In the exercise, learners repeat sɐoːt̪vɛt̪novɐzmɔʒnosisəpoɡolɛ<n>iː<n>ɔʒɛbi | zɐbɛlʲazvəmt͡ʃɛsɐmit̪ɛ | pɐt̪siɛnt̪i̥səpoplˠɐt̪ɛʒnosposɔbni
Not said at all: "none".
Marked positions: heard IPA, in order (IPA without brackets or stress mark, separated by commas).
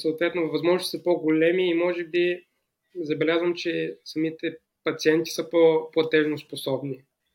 m, m